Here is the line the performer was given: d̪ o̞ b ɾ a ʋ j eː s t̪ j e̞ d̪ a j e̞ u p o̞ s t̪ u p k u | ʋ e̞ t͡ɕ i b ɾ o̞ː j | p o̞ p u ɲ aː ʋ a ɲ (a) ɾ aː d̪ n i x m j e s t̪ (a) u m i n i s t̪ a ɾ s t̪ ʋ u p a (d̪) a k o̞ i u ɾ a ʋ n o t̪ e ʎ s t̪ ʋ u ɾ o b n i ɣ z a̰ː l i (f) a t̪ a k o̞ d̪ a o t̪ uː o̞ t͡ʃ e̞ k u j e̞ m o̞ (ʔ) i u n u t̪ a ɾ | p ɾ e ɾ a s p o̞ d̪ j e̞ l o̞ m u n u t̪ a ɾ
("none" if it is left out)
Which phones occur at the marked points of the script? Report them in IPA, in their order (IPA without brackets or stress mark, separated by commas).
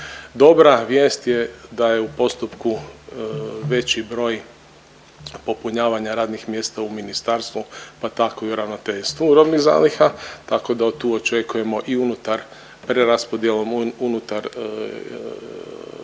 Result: a, a, t̪, x, ʔ